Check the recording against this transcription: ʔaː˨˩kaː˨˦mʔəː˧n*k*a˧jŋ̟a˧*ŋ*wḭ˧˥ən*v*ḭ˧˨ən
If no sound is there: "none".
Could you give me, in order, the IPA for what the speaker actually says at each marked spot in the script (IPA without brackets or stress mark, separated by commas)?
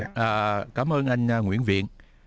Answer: ʔ, ŋ, v